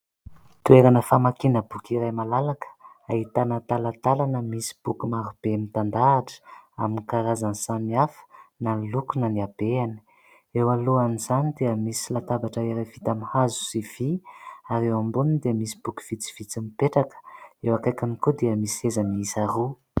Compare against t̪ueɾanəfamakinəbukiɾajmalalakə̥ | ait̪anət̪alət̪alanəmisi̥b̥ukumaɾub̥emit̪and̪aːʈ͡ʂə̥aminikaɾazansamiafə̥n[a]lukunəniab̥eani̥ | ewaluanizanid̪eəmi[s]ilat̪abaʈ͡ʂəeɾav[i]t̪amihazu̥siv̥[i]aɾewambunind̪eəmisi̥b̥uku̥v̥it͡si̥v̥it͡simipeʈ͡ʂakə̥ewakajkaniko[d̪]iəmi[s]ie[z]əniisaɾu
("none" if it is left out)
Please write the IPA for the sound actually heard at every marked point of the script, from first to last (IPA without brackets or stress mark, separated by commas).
a, s, i, i, d̪, s, z